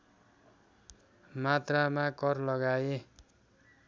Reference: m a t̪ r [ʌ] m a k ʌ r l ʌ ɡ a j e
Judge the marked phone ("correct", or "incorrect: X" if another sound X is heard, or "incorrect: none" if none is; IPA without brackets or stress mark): incorrect: a